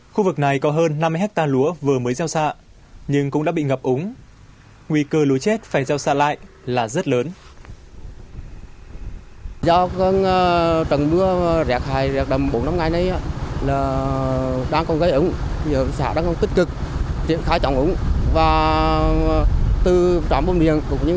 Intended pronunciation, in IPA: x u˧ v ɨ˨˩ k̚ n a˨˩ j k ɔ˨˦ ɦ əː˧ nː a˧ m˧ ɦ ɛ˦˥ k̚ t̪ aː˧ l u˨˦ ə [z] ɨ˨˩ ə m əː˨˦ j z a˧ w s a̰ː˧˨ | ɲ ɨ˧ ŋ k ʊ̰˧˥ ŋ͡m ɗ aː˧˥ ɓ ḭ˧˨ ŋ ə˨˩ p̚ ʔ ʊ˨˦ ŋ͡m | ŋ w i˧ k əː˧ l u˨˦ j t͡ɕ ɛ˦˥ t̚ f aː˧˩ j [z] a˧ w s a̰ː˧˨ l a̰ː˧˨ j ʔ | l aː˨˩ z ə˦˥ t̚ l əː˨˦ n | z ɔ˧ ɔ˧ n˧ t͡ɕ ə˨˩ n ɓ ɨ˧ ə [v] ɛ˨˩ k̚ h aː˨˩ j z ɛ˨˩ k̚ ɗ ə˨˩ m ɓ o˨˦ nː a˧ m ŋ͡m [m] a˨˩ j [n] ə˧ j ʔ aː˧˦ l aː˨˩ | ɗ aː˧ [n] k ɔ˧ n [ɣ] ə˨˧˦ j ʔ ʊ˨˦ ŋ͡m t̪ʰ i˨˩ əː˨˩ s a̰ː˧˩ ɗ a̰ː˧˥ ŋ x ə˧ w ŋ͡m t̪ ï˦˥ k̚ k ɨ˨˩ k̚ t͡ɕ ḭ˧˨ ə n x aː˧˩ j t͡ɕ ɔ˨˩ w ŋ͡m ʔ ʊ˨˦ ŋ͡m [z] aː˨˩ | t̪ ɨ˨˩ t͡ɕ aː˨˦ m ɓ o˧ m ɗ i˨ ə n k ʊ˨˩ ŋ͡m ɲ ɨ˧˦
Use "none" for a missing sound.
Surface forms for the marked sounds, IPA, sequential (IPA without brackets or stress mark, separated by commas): v, z, z, ŋ, n, ŋ, ɣ, v